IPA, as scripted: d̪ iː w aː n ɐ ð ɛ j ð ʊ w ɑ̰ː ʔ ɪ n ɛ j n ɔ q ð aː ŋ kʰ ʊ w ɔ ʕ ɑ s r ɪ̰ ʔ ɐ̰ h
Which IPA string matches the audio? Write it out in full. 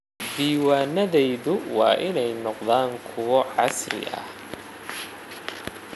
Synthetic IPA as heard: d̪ iː w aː n ɐ ð ɛ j ð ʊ w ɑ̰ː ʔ ɪ n ɛ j n ɔ q ð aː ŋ kʰ ʊ w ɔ ʕ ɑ s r ɪ̰ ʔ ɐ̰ h